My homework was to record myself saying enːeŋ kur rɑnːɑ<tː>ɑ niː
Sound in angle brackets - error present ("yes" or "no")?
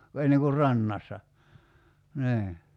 yes